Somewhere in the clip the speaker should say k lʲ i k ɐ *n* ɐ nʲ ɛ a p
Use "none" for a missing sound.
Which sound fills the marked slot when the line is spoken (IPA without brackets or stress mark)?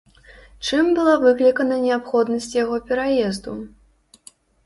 n